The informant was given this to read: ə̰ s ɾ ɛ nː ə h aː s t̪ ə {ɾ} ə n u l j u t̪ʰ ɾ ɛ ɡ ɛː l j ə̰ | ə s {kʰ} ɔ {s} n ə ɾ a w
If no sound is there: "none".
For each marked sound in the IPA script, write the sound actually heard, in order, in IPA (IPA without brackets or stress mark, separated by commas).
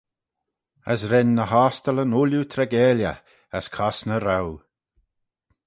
l, kʰ, s